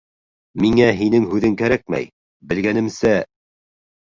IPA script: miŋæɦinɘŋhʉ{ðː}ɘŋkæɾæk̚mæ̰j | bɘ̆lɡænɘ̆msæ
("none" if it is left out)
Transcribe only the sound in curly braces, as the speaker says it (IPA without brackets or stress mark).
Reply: ð